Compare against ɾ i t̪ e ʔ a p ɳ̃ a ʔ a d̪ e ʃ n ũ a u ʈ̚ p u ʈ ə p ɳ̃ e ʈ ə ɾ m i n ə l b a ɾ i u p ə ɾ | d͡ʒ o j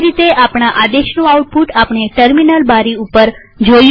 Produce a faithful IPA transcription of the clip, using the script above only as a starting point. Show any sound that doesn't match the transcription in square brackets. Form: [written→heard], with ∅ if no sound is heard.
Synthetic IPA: ɾ i t̪ e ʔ a p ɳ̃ a ʔ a d̪ e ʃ n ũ a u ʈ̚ p u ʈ [ə→a] p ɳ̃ e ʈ ə ɾ m i n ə l b a ɾ i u p ə ɾ | d͡ʒ o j